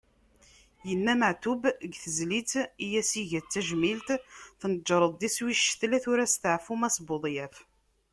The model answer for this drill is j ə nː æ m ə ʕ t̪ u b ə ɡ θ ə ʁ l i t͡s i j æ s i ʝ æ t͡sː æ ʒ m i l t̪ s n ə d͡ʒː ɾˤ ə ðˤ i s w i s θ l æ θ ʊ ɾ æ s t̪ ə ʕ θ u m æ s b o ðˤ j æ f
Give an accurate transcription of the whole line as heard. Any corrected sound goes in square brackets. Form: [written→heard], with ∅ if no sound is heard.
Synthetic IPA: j ə nː æ m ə ʕ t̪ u b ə ɡ θ ə [ʁ→z] l i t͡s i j æ s i ʝ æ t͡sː æ ʒ m i l t̪ [s→θ] n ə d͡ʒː ɾˤ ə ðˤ i s w i [s→ʃ] θ l æ θ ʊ ɾ æ s t̪ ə ʕ [θ→f] u m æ s b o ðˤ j æ f